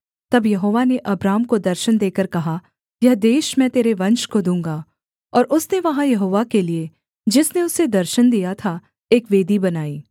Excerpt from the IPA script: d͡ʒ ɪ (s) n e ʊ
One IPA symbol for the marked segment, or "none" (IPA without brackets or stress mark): s